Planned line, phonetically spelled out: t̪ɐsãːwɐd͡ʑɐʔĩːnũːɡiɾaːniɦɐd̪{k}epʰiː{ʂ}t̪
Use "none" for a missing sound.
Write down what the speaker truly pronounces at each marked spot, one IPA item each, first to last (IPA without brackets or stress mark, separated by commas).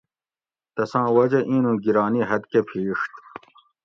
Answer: k, ʂ